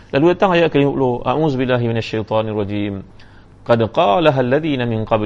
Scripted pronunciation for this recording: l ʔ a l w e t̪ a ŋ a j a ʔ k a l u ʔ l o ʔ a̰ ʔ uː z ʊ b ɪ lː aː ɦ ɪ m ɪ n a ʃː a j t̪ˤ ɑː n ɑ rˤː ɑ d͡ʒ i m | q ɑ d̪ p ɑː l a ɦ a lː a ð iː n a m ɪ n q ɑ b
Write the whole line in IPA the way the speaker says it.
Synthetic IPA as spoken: l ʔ a l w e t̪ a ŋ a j a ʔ k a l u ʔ l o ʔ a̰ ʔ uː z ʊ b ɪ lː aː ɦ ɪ m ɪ n a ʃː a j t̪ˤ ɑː n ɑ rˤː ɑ d͡ʒ iː m | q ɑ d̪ q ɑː l a ɦ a lː a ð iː n a m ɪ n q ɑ b